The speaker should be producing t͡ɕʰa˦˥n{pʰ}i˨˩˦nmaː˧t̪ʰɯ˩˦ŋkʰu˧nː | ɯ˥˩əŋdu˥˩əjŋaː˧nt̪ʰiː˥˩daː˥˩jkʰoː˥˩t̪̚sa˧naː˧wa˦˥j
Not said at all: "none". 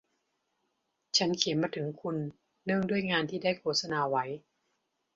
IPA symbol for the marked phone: kʰ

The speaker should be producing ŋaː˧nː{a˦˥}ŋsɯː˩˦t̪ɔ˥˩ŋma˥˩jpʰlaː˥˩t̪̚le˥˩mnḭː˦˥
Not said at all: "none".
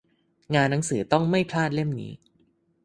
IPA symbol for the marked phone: a˦˥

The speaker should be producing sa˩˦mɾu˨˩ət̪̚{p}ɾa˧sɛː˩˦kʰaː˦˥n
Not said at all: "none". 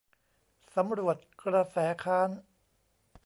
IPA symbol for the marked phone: k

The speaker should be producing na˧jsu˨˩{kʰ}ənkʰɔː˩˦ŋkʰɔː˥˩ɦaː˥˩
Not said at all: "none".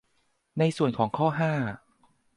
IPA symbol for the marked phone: none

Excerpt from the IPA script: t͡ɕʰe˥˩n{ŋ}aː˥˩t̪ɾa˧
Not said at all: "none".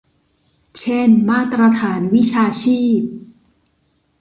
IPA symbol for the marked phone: m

